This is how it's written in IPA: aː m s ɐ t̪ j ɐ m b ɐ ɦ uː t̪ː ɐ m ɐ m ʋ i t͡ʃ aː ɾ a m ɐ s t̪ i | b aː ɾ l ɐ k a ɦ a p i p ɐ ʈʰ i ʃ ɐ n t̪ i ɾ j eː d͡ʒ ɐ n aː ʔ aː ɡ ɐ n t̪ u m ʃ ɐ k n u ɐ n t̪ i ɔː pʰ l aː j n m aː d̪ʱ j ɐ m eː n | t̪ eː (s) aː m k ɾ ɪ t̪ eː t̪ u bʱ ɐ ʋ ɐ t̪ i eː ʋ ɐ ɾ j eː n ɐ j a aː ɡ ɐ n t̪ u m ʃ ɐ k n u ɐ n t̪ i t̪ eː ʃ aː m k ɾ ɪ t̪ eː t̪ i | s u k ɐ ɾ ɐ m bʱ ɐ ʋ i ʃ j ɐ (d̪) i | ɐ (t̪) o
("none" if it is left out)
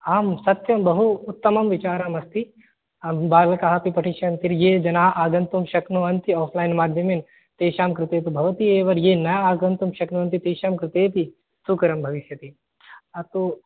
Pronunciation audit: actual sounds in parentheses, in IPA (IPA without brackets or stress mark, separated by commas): ʃ, t̪, t̪